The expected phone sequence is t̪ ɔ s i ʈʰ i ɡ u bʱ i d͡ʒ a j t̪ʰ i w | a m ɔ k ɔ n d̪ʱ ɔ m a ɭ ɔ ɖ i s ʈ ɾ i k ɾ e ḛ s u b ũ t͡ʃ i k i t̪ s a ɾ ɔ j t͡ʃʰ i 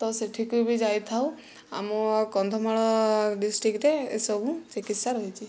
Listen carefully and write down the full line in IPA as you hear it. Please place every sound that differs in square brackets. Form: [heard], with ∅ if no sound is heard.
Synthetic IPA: t̪ ɔ s [e] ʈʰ i [k] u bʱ i d͡ʒ a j t̪ʰ [a] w | a m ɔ k ɔ n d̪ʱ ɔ m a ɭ ɔ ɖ i s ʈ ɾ i k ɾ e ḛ s [ɔ] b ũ t͡ʃ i k i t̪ s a ɾ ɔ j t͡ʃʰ i